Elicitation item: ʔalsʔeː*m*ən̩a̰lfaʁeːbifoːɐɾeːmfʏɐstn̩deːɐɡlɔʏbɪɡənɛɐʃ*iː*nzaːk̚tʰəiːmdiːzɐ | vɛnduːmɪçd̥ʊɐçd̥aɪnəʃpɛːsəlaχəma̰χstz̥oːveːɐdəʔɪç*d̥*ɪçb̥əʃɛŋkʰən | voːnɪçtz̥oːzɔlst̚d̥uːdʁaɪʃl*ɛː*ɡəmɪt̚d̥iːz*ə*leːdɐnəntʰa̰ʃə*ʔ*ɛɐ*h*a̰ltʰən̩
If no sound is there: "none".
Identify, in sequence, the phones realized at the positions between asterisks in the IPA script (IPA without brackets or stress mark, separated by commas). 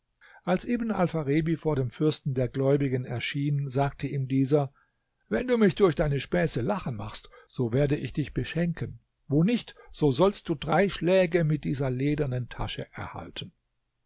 b, iː, d̥, ɛː, ɐ, ʔ, h